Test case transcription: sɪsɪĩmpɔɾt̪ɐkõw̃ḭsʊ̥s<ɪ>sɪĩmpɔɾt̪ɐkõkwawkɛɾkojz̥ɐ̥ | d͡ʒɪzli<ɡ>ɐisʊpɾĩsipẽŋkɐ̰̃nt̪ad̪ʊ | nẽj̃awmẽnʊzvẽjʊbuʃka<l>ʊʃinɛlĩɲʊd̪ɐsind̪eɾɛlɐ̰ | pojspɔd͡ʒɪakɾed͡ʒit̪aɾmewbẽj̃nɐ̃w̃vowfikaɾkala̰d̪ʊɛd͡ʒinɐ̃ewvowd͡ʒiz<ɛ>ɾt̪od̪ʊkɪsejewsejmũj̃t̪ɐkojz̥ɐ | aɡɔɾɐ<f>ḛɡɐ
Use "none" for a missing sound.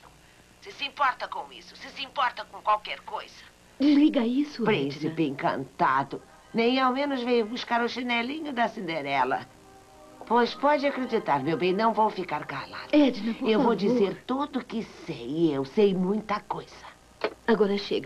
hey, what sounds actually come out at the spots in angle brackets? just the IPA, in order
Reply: ɪ, ɡ, ɾ, e, ʃ

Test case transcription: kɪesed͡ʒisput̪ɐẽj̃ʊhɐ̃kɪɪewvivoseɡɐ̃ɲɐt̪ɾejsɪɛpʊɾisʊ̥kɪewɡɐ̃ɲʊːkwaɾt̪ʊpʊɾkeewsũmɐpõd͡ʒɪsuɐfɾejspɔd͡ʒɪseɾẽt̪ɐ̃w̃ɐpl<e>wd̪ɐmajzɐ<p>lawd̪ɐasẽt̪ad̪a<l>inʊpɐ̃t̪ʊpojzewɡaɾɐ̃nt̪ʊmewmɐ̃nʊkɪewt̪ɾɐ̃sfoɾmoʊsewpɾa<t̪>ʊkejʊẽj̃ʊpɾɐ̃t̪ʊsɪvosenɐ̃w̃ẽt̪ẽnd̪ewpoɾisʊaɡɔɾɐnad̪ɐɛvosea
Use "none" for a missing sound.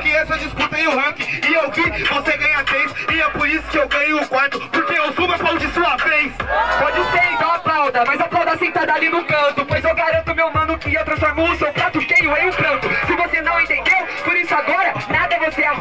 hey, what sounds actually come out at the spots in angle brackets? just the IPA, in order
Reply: a, p, l, t̪

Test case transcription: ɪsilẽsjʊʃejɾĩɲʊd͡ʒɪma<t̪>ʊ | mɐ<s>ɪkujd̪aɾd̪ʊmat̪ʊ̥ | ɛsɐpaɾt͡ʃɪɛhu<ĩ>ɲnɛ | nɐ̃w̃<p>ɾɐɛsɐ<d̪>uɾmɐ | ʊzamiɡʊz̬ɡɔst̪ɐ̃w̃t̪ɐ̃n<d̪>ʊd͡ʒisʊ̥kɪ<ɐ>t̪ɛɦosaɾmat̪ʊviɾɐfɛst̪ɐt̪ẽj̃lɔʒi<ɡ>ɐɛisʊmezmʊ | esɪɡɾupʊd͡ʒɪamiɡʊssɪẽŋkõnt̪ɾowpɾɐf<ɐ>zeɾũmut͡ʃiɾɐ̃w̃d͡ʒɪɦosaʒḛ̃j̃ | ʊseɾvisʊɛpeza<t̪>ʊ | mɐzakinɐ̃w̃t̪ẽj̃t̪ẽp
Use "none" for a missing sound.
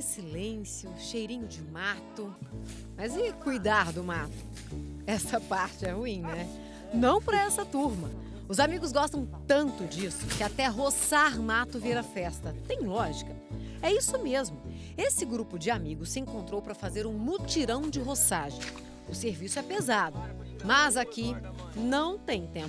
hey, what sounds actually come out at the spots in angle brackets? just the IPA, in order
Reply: t̪, z, ĩ, p, t̪, t̪, a, k, a, d̪

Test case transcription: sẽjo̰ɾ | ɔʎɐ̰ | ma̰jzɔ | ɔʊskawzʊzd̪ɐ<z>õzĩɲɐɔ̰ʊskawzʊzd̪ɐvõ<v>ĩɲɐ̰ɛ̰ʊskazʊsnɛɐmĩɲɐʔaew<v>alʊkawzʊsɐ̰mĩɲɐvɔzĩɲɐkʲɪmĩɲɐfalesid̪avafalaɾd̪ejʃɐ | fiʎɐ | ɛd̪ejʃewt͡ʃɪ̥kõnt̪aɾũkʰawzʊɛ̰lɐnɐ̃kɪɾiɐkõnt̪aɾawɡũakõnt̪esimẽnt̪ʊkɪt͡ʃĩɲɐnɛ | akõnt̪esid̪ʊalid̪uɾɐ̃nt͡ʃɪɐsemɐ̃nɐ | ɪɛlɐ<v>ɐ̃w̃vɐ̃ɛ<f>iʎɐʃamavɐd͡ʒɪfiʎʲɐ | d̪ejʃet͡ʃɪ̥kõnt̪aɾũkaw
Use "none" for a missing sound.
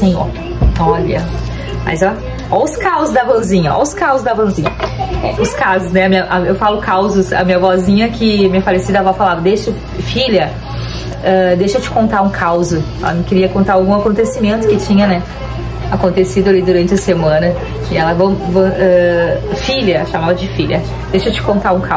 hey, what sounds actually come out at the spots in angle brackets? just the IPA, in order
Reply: v, z, f, v, f

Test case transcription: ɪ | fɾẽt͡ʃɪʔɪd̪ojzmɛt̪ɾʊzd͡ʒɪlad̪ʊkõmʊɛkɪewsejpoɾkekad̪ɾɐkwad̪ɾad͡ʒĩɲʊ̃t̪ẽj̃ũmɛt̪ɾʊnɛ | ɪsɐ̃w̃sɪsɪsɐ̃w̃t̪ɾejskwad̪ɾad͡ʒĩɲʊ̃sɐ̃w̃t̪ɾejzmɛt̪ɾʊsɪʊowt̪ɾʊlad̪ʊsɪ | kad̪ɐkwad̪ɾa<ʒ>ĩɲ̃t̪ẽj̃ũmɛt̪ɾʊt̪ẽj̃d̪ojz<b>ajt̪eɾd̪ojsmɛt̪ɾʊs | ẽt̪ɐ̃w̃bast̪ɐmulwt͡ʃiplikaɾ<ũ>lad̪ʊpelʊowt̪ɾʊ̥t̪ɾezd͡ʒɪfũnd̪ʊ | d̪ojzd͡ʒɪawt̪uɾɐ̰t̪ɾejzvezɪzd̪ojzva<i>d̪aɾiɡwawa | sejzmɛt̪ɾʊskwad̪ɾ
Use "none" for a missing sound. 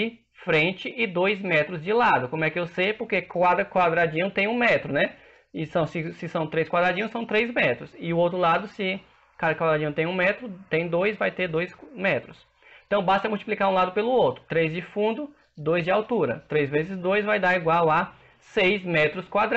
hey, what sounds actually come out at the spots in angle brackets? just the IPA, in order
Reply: d͡ʒ, v, ũ, j

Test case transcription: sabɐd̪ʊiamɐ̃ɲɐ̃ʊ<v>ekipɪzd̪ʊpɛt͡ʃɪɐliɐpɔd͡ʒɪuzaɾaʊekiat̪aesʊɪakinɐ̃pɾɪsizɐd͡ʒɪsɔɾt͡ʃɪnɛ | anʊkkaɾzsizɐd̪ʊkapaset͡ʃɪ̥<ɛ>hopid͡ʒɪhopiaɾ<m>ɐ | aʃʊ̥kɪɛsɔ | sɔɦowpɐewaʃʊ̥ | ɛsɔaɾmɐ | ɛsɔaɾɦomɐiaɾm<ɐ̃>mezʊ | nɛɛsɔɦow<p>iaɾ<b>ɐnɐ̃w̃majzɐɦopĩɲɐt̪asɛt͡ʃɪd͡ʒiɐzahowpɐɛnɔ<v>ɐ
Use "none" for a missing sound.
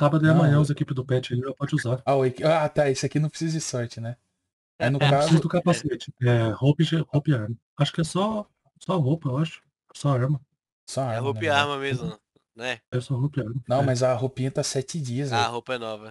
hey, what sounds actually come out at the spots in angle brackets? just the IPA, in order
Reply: z, ɛ, m, ɐ, p, m, v

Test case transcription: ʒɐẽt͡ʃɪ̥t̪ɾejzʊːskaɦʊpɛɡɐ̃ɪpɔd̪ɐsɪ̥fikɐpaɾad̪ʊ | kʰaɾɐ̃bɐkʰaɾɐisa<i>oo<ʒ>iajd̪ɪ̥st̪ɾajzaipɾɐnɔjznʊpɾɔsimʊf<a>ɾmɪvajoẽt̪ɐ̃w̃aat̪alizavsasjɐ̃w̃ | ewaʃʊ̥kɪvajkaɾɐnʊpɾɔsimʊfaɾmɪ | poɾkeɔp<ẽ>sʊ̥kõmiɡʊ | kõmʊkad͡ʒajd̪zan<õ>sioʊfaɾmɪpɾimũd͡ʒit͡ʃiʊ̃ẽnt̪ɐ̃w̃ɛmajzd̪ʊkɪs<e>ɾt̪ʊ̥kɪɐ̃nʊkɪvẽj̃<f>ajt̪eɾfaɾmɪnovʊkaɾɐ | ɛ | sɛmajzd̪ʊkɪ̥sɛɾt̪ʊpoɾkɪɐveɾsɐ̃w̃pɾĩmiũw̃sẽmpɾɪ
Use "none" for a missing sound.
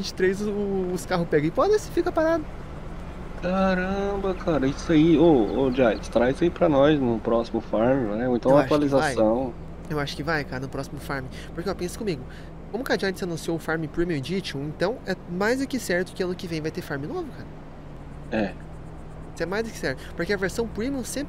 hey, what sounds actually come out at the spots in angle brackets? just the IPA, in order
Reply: i, d͡ʒ, a, ẽ, ũ, ɛ, v

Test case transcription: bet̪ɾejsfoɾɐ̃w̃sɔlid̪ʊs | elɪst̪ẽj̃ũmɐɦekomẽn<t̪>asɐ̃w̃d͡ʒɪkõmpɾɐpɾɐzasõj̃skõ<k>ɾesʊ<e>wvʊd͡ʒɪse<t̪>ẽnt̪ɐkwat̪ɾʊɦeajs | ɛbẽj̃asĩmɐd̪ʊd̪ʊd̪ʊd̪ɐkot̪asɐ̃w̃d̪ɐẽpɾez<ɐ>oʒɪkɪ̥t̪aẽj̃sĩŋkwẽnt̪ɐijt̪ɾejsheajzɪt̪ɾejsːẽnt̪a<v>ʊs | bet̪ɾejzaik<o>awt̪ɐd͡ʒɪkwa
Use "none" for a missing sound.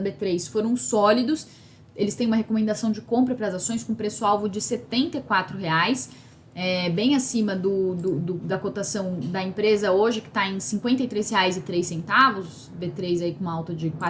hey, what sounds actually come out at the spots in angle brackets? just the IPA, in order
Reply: d̪, p, a, t̪, ɐ, v, õ

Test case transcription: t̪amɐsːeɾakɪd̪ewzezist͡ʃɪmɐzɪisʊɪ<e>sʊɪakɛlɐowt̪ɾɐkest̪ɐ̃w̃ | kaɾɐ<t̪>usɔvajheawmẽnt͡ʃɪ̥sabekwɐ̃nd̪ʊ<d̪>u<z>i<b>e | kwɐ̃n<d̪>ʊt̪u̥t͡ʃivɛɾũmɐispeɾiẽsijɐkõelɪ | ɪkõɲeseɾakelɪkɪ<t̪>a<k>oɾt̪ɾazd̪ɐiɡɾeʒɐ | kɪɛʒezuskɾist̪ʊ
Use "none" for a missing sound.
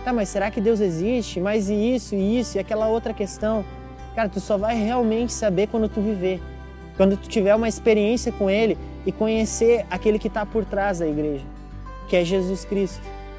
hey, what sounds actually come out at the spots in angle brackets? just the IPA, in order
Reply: i, t̪, t̪, v, v, d̪, t̪, p

